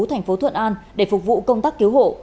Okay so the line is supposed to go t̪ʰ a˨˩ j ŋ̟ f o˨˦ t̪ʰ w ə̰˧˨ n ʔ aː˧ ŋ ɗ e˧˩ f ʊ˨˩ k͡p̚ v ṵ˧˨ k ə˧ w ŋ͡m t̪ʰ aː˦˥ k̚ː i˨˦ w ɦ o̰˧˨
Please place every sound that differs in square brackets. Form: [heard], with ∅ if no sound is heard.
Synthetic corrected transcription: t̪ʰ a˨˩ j ŋ̟ f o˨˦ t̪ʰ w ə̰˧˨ n ʔ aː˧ [n] ɗ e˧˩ f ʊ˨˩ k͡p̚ v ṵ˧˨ k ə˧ w ŋ͡m [t̪] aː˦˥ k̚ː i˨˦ w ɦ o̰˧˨